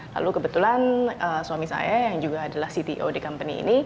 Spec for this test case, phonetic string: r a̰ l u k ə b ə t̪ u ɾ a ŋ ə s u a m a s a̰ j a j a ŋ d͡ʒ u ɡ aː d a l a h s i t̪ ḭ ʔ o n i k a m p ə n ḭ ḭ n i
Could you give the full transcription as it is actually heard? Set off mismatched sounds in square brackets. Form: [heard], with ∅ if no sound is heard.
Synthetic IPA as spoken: [l] a̰ l u k ə b ə t̪ u [l] a [n] ə s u a m [i] s a̰ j a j a ŋ d͡ʒ u ɡ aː d a l a h s i t̪ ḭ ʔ o [d] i k a m p ə n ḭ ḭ n i